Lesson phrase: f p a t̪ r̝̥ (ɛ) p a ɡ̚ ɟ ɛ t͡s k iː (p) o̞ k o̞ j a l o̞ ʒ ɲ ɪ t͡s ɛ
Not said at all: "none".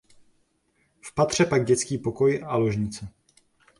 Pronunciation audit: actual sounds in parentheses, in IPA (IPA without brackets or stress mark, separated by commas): ɛ, p